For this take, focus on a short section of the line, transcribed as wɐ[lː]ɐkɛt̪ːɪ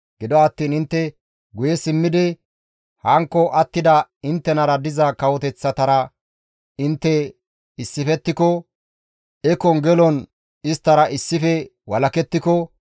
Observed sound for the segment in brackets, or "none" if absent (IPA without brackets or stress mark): l